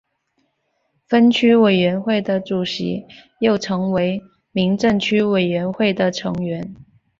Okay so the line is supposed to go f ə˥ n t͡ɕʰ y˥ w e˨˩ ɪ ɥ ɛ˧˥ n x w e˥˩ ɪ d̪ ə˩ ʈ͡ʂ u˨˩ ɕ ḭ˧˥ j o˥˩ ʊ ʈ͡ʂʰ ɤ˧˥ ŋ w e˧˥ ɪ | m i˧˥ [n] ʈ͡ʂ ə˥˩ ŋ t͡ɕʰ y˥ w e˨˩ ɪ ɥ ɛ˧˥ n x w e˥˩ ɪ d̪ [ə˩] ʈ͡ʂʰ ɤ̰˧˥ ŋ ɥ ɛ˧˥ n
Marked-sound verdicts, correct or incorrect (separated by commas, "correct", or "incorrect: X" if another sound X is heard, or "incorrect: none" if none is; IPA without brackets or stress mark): incorrect: ŋ, correct